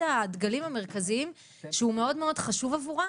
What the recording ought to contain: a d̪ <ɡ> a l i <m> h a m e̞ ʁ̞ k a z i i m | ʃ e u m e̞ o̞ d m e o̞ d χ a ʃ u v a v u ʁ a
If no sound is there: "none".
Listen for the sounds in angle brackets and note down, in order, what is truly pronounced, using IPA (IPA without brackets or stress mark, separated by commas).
ɡ, m